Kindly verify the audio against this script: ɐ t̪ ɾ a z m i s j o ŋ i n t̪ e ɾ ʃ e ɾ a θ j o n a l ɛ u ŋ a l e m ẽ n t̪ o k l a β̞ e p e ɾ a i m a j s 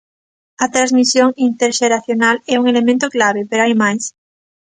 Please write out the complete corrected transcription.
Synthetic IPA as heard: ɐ t̪ ɾ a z m i s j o ŋ i n t̪ e ɾ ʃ e ɾ a θ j o n a l ɛ u ŋ e l e m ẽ n t̪ o k l a β̞ e p e ɾ a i m a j s